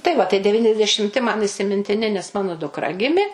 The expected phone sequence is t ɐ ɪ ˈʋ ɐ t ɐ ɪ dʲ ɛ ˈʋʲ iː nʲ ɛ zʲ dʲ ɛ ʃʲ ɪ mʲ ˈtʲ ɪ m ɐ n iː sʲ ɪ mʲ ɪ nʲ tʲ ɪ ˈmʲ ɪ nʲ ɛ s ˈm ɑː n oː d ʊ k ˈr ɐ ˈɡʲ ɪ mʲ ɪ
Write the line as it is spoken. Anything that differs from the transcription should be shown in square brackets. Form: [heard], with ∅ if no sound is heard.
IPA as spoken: t ɐ ɪ ˈʋ ɐ t ɐ ɪ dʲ ɛ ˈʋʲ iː nʲ ɛ zʲ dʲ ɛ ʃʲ ɪ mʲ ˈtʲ ɪ m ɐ n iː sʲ ɪ mʲ ɪ nʲ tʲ ɪ [ˈnʲ] ɪ nʲ ɛ s ˈm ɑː n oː d ʊ k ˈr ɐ ˈɡʲ ɪ mʲ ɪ